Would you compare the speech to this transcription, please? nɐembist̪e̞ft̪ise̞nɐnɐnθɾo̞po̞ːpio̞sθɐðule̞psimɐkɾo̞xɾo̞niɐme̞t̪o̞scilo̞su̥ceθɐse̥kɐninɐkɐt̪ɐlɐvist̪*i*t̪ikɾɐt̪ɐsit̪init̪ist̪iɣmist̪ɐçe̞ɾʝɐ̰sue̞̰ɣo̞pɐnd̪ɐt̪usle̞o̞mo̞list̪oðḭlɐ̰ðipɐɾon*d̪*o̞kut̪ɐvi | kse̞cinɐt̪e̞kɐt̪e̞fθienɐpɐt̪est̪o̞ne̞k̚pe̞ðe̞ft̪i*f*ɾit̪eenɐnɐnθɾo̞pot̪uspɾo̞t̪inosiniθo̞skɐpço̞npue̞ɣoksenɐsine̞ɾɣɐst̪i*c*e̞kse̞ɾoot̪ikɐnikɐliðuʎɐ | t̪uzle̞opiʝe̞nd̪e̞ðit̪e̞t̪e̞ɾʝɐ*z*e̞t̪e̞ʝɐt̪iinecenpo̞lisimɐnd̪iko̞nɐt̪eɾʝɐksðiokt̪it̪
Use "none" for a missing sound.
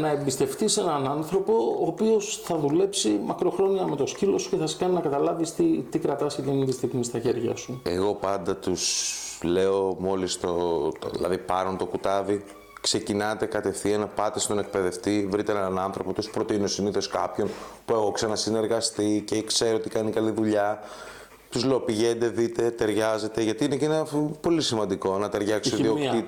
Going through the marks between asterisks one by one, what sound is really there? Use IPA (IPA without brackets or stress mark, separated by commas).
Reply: i, t̪, v, c, z